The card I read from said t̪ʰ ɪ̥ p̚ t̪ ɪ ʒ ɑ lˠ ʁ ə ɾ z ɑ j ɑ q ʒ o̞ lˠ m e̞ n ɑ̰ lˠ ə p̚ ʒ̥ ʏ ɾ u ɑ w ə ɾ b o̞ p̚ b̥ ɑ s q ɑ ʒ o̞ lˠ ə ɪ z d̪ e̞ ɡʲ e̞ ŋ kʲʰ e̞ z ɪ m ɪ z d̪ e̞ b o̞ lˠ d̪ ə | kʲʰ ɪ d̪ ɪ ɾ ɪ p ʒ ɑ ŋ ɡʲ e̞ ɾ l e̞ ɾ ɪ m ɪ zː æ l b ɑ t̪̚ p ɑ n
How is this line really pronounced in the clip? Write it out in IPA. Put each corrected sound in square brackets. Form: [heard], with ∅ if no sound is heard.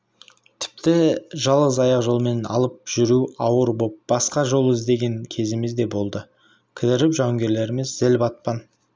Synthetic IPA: t̪ʰ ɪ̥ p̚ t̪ ɪ ʒ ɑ lˠ ʁ ə [∅] z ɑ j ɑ q ʒ o̞ lˠ m e̞ n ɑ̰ lˠ ə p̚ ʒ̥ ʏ ɾ u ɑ w ə ɾ b o̞ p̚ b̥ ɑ s q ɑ ʒ o̞ lˠ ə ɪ z d̪ e̞ ɡʲ e̞ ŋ kʲʰ e̞ z ɪ m ɪ z d̪ e̞ b o̞ lˠ d̪ ə | kʲʰ ɪ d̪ ɪ ɾ ɪ p ʒ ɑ ŋ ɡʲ e̞ ɾ l e̞ ɾ ɪ m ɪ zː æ l b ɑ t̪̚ p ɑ n